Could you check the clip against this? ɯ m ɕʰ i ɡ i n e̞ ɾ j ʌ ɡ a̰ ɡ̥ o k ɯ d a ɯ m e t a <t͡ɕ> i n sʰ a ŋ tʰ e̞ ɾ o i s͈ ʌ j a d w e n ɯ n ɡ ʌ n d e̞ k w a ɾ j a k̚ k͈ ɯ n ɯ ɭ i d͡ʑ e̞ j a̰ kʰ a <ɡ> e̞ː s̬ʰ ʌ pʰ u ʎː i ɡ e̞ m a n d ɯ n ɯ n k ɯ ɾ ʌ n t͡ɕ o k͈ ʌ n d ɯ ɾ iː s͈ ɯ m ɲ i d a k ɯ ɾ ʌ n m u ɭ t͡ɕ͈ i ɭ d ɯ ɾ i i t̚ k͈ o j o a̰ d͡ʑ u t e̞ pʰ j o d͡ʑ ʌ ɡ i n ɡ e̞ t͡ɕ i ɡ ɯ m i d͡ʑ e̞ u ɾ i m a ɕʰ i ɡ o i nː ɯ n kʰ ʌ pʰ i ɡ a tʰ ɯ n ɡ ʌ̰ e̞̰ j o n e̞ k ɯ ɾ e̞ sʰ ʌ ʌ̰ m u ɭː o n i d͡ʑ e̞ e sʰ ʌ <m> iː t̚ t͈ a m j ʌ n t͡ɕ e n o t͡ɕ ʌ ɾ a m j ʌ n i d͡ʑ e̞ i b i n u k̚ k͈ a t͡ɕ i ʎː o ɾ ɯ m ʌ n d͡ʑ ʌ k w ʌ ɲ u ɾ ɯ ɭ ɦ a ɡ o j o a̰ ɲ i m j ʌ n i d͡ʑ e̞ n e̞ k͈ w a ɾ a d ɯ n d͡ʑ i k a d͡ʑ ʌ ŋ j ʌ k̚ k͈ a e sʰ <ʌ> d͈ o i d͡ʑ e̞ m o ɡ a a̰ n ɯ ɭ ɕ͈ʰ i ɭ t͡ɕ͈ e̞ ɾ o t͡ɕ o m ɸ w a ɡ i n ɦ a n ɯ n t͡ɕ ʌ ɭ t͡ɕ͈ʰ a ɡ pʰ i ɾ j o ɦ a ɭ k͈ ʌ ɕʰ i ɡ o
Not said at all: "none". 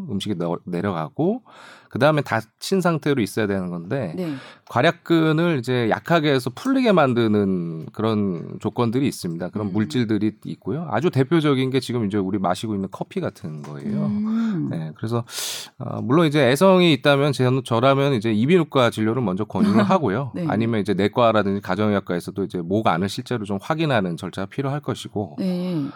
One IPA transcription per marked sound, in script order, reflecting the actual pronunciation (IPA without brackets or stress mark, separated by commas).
t͡ɕʰ, ɡ, ŋ, ʌ